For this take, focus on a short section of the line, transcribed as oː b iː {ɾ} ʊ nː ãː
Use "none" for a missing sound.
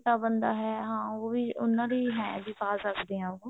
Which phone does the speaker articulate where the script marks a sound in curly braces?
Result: none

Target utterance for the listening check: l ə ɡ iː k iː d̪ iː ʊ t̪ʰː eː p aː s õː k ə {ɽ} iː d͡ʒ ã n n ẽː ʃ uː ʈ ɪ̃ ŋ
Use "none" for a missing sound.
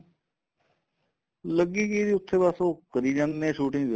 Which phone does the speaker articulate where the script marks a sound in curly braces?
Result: ɾ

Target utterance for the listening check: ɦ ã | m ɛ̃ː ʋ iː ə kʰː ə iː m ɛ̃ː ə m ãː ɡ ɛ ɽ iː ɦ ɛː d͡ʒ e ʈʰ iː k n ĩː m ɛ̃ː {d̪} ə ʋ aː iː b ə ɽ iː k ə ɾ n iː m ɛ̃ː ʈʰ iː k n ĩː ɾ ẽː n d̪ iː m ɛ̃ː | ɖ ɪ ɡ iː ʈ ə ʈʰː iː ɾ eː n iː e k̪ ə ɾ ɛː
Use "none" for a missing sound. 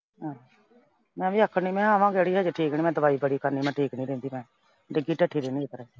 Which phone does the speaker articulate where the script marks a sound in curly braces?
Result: d̪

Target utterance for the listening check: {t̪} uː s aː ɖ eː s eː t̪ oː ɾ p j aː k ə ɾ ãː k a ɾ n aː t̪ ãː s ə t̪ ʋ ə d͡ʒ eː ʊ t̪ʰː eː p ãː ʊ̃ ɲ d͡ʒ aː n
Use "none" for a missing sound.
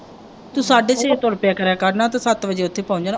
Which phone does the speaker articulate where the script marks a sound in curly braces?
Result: t̪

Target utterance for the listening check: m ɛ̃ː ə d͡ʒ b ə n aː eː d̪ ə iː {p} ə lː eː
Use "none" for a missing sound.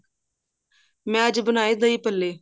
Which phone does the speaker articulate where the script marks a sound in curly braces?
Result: p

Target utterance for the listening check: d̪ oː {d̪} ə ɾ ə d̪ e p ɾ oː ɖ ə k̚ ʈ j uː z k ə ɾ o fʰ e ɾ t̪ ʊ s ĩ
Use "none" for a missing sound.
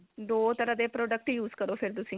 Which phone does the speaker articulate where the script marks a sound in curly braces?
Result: t̪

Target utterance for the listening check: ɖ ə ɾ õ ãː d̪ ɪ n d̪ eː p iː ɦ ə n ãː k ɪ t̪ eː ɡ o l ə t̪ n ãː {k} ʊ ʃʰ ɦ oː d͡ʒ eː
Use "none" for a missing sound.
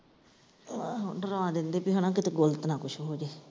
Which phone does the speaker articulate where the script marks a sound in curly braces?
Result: k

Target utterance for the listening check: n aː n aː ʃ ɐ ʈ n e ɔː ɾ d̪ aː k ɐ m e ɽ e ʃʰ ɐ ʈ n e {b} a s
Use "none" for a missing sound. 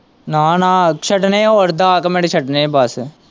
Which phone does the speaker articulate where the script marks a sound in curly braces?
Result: b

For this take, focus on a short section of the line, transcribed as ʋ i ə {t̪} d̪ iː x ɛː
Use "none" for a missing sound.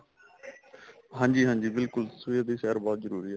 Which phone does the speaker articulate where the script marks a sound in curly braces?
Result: none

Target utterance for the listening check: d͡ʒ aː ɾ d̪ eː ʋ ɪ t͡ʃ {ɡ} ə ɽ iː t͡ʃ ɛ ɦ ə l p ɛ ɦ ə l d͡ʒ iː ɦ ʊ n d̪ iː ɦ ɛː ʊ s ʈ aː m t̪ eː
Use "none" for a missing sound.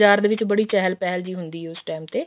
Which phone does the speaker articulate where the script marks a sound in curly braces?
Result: b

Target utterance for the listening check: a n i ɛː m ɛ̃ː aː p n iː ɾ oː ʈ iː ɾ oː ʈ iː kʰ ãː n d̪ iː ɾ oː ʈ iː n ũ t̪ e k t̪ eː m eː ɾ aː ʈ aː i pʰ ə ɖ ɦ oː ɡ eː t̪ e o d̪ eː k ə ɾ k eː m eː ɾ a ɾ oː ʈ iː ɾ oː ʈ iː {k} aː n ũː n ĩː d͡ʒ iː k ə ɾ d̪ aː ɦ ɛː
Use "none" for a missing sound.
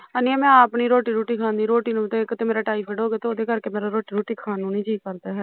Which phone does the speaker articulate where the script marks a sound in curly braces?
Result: kʰ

